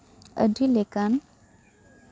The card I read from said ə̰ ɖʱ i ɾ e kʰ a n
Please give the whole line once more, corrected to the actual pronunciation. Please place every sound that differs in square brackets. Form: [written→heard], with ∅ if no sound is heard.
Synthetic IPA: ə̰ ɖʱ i [ɾ→l] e [kʰ→k] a n